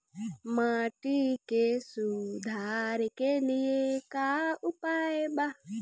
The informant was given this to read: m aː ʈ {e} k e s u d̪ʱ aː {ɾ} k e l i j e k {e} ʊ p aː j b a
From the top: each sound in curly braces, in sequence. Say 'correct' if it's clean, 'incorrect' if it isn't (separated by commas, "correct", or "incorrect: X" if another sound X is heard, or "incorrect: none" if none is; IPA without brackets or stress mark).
incorrect: i, correct, incorrect: a